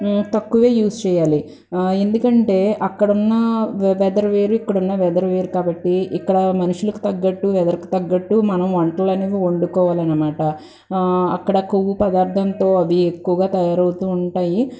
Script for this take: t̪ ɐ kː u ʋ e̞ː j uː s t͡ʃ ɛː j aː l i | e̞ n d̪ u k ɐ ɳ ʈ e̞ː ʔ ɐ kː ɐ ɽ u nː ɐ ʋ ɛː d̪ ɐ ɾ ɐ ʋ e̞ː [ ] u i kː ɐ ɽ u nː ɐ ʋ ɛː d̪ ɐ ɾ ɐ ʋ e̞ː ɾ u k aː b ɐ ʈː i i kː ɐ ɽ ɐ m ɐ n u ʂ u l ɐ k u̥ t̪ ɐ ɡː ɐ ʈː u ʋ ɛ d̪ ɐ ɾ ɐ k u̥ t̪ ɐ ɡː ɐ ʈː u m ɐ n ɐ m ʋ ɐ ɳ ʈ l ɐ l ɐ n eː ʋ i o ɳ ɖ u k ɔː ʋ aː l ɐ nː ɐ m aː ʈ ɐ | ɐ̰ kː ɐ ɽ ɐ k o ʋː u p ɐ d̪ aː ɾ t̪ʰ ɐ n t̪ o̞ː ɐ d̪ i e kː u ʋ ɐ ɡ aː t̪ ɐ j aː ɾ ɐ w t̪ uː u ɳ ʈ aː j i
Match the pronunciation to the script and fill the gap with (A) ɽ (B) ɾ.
B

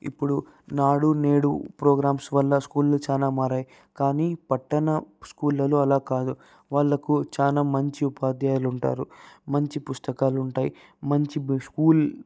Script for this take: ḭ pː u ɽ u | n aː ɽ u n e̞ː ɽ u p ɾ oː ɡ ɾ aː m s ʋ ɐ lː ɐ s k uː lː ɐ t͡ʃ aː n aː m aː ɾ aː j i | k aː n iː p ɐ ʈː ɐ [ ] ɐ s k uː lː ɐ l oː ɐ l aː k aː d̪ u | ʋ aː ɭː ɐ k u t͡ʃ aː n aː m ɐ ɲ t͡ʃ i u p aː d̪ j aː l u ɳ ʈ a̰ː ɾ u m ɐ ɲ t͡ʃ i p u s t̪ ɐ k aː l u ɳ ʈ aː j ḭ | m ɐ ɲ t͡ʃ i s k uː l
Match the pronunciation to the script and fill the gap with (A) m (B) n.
B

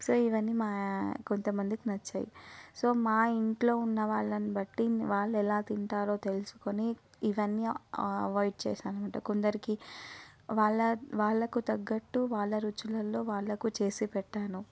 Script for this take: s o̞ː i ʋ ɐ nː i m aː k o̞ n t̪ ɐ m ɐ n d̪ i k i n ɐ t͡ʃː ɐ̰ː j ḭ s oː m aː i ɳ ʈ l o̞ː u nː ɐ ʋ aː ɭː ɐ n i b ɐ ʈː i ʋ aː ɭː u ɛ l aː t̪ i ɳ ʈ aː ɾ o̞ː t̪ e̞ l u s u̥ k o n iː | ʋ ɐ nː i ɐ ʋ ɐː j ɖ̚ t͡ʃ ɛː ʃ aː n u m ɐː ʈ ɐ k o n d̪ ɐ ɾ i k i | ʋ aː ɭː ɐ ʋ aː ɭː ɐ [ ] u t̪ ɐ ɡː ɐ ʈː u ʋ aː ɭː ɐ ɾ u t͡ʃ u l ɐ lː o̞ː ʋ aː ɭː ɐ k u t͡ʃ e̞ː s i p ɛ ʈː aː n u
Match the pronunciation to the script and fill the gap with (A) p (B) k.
B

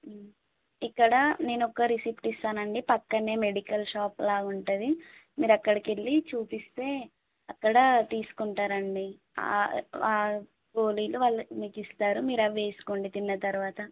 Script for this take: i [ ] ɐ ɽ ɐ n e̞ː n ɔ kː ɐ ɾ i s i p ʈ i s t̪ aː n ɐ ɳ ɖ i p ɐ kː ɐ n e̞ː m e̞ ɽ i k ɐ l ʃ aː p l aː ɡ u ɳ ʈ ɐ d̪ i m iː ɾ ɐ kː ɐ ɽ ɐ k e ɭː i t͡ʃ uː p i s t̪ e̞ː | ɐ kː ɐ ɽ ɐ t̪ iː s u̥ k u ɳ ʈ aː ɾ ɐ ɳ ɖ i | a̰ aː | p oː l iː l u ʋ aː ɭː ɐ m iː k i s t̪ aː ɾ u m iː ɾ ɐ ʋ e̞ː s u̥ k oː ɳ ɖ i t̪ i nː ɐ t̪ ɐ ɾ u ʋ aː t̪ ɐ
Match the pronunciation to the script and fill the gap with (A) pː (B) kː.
B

